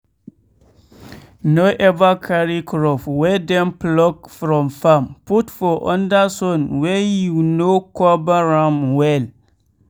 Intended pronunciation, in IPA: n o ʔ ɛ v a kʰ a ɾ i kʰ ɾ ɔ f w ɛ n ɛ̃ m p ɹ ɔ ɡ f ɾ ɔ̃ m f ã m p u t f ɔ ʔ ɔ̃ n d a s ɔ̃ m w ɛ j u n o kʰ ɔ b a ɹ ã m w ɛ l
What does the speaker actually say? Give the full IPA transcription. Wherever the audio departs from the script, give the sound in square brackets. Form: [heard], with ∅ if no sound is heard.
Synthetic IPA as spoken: n o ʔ ɛ v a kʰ a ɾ i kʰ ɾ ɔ f w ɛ [d] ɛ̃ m p [l] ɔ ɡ f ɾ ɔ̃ m f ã m p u t f ɔ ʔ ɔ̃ n d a s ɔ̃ [n] w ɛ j u n o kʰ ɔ b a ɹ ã m w ɛ l